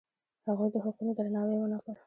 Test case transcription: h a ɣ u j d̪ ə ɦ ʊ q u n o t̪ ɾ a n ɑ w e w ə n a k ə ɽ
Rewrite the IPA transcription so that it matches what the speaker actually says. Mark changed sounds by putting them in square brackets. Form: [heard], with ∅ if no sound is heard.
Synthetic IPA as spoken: h a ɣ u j d̪ ə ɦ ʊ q u n o [d̪] ɾ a n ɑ w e w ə n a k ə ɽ